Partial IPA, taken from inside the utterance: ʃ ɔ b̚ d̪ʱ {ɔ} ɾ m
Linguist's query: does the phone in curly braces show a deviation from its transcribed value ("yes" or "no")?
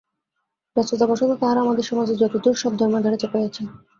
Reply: no